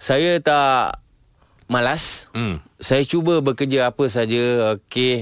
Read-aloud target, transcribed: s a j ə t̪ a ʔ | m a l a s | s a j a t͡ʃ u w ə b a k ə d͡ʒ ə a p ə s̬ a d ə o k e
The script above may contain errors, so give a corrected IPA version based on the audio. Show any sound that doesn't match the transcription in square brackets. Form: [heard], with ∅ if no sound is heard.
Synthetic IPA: s a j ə t̪ a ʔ | m a l a s | s a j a t͡ʃ u [b] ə b [ə] k ə d͡ʒ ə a p ə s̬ a [d͡ʒ] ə o k e